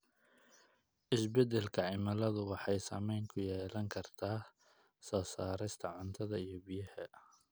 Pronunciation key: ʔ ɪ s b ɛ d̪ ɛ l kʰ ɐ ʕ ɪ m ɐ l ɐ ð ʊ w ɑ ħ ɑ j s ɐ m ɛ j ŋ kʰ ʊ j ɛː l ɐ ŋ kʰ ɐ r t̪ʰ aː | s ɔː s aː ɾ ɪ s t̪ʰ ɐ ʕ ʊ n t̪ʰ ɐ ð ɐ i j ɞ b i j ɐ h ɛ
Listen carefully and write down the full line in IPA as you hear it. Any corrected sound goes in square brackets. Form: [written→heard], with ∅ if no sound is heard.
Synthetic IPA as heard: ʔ ɪ s b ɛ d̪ ɛ l kʰ ɐ ʕ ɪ m ɐ l ɐ ð ʊ w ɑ ħ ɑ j s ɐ m ɛ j ŋ kʰ ʊ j ɛː l ɐ ŋ kʰ ɐ r t̪ʰ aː | s ɔː s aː ɾ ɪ s t̪ʰ ɐ ʕ ʊ n t̪ʰ ɐ ð ɐ i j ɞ b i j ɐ h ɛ